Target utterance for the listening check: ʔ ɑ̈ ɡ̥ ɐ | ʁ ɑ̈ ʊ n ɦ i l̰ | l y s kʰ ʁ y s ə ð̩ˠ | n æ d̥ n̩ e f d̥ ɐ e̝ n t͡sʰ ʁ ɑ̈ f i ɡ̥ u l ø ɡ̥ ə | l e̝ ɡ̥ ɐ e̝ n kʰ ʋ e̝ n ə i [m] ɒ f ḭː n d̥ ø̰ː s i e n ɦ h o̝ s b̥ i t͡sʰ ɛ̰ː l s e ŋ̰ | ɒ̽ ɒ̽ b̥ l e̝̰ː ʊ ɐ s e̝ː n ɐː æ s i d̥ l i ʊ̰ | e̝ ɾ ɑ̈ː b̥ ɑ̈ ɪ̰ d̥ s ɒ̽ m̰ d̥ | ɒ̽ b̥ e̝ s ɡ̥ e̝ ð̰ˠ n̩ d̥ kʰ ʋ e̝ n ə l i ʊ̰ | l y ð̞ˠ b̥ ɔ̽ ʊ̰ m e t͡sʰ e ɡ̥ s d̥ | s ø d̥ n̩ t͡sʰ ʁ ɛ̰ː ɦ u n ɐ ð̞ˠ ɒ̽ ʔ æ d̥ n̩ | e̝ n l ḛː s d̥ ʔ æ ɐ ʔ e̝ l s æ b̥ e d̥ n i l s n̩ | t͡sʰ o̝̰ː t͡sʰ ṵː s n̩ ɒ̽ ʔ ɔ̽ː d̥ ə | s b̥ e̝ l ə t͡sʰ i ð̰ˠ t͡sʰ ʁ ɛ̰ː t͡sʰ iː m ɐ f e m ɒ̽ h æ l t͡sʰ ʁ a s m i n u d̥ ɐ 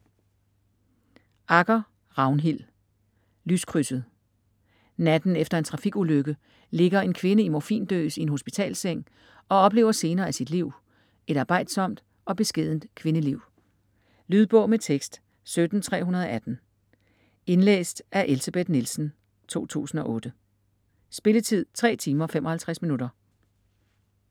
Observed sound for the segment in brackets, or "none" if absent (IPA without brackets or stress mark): m